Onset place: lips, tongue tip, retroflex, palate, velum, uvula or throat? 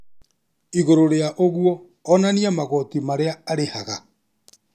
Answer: velum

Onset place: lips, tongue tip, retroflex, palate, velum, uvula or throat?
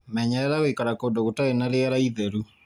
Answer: lips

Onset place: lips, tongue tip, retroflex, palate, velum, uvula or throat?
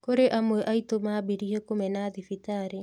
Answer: velum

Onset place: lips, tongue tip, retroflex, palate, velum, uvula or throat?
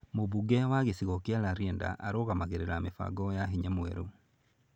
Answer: lips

